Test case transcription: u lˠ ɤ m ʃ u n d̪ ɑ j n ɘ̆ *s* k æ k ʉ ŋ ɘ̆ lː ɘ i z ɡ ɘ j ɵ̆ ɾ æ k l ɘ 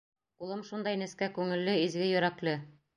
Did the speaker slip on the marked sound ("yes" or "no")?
no